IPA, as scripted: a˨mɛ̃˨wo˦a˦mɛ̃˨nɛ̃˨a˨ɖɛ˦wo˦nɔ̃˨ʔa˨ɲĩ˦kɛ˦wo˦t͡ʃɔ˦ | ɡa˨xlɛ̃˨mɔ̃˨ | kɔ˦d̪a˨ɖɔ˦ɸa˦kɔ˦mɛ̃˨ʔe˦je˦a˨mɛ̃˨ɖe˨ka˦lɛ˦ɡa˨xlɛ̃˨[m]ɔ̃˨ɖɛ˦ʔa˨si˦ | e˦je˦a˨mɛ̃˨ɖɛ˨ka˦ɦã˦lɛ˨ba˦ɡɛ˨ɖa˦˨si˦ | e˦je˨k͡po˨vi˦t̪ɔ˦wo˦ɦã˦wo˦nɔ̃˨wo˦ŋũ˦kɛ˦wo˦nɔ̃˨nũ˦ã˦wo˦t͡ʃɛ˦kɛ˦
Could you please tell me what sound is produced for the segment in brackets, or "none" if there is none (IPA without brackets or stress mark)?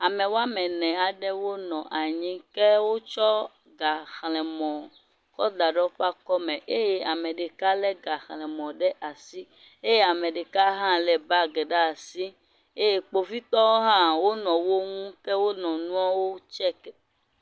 m